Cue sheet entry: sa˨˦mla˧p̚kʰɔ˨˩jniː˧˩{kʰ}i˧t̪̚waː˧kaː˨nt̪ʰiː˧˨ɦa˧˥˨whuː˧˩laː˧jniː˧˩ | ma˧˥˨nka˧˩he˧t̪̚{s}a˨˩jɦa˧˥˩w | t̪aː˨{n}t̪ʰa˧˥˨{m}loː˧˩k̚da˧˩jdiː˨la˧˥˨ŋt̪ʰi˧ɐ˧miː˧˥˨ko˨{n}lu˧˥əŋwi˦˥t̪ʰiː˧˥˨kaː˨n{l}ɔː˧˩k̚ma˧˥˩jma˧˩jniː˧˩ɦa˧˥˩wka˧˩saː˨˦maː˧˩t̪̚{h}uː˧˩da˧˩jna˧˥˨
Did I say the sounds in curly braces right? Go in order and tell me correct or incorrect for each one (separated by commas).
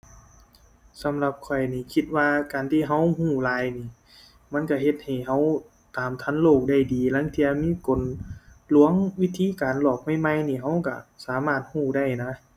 correct, incorrect, incorrect, incorrect, correct, correct, correct